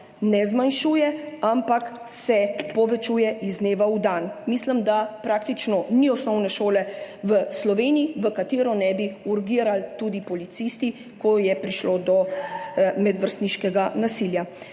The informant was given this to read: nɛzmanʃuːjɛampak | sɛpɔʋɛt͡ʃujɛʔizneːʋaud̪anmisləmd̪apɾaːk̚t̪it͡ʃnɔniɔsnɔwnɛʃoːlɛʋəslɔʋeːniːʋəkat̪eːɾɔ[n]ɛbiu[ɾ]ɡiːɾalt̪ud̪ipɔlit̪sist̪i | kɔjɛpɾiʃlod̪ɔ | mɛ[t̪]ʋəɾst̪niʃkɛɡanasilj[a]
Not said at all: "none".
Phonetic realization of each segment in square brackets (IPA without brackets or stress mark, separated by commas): n, ɾ, d̪, a